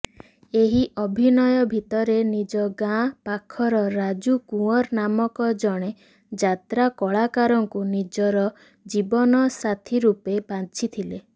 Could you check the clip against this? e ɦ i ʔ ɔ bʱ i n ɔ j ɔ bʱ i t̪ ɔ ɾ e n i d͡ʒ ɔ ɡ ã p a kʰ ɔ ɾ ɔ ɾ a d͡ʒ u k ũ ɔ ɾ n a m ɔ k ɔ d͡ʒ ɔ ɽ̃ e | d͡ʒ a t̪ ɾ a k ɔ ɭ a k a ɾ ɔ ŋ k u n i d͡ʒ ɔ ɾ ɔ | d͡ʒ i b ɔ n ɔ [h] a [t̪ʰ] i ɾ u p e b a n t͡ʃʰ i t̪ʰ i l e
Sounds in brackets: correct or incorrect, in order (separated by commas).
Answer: incorrect, correct